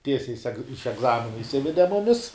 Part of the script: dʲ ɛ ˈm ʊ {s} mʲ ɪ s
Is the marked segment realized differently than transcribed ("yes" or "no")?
yes